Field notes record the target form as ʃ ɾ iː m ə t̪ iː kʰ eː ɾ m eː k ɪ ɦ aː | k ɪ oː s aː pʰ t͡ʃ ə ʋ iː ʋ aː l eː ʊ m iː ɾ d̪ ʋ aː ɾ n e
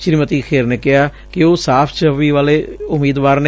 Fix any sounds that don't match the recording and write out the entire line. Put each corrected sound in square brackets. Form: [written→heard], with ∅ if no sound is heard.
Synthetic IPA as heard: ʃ ɾ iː m ə t̪ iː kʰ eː ɾ [m→n] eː k ɪ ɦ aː | k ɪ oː s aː pʰ t͡ʃ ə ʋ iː ʋ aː l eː ʊ m iː [ɾ→∅] d̪ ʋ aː ɾ n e